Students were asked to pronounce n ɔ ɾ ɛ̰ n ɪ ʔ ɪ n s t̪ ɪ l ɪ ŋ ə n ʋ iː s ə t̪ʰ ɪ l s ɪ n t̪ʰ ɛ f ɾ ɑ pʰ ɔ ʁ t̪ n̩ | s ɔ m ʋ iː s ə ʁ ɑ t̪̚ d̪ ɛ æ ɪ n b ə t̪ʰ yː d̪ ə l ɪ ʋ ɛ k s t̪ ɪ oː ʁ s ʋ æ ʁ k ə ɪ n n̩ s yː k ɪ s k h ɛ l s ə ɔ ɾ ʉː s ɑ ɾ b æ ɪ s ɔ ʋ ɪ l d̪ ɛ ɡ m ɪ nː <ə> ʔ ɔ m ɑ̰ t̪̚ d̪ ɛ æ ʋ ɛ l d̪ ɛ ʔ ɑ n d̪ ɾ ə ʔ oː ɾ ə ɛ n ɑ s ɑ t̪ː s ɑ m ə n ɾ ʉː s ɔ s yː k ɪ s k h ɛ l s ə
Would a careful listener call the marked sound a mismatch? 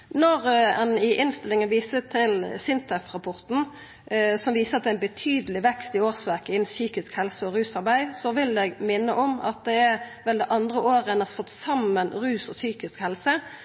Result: no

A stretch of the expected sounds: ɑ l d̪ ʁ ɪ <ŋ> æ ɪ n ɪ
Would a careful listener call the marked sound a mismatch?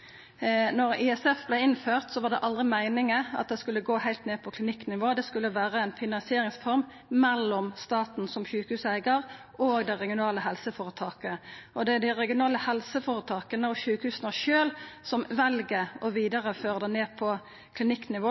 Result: yes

